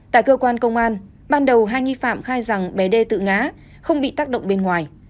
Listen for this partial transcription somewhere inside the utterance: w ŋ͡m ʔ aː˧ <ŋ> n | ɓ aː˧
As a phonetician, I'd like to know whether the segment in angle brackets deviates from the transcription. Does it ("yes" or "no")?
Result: yes